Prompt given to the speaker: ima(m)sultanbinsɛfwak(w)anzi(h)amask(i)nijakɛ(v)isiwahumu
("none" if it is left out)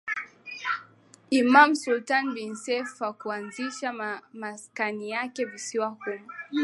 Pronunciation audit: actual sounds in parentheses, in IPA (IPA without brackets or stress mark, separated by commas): m, u, ʃ, a, v